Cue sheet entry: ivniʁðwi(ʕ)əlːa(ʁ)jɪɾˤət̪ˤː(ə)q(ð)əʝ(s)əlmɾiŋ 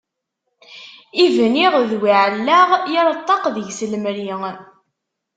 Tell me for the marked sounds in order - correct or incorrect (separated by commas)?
correct, correct, incorrect, correct, correct